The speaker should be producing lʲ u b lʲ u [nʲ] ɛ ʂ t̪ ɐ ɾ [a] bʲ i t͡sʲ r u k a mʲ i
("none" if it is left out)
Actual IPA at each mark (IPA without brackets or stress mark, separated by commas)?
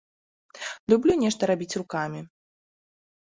nʲ, a